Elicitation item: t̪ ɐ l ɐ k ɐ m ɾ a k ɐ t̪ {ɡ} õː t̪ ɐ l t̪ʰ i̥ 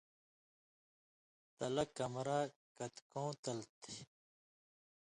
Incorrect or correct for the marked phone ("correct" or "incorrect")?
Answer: incorrect